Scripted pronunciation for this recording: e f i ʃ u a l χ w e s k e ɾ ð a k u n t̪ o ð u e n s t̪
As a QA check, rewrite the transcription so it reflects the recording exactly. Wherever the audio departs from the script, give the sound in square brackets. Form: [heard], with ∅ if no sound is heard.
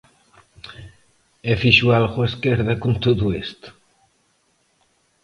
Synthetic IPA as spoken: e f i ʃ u a l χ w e s k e ɾ ð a k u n t̪ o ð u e [∅] s t̪